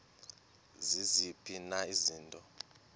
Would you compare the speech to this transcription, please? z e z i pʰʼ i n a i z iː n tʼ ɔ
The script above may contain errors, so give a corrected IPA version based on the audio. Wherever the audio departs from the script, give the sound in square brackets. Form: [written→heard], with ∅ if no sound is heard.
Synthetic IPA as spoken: z [e→i] z i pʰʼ i n a i z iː n tʼ ɔ